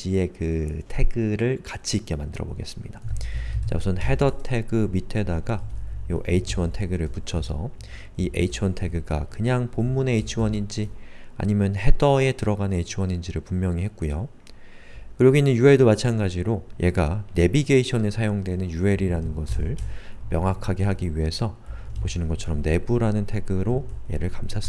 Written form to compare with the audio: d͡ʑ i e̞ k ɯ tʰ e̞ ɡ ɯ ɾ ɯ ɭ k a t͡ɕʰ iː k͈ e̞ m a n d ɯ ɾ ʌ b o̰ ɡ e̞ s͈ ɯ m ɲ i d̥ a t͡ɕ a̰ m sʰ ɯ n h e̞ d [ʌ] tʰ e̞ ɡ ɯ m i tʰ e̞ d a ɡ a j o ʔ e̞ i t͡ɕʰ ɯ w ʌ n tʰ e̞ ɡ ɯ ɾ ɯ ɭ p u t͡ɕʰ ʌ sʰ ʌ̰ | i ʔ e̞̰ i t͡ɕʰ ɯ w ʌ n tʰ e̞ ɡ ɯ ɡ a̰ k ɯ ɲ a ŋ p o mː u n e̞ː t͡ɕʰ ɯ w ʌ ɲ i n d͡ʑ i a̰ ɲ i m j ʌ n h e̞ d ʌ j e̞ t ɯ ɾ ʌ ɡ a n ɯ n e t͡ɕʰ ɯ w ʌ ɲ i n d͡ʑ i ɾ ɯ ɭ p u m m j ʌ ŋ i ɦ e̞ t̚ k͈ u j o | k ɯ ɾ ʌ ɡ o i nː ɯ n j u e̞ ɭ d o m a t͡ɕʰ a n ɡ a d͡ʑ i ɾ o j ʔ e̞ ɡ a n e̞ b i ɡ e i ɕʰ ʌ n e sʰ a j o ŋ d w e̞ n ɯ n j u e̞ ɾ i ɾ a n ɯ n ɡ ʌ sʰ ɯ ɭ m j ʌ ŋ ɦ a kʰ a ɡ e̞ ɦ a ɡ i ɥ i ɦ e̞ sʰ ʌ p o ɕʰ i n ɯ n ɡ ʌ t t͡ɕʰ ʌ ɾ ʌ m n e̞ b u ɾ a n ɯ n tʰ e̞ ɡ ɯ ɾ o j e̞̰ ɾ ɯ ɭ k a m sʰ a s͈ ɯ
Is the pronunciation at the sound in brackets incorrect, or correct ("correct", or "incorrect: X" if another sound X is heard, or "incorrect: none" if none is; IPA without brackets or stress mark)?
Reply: correct